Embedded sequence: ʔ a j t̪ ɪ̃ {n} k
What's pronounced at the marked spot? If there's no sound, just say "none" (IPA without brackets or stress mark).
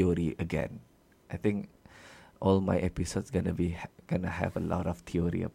ŋ